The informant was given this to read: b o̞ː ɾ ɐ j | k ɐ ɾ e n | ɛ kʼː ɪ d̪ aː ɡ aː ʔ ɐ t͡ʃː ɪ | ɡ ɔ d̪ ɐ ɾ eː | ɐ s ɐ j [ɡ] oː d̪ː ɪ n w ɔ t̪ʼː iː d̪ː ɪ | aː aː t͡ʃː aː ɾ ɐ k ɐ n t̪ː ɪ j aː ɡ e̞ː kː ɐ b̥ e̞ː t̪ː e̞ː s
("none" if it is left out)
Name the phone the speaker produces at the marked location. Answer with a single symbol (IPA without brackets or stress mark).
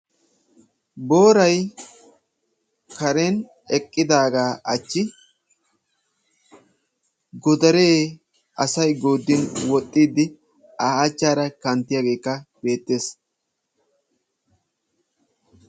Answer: ɡ